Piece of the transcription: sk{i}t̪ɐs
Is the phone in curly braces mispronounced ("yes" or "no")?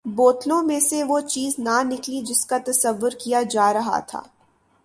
yes